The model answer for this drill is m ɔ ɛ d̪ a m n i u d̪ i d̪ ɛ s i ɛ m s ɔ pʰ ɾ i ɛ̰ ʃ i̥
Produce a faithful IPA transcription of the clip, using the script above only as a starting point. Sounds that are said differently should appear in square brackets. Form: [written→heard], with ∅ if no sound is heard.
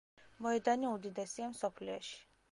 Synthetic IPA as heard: m ɔ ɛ d̪ a [m→∅] n i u d̪ i d̪ ɛ s i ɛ m s ɔ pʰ [ɾ→l] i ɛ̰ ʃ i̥